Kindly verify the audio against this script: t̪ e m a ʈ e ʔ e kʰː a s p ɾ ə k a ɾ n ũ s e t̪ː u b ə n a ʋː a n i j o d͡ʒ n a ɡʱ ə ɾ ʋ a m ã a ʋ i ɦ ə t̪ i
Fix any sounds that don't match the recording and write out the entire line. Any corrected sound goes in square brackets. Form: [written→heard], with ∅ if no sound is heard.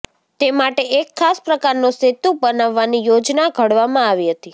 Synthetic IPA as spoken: t̪ e m a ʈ e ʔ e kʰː a s p ɾ ə k a ɾ n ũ s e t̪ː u b ə n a ʋː a n i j o d͡ʒ n a ɡʱ ə [ɾ→ɽ] ʋ a m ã a ʋ i ɦ ə t̪ i